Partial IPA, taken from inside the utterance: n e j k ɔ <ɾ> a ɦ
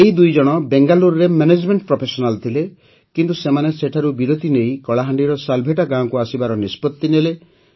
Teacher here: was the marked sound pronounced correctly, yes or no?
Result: no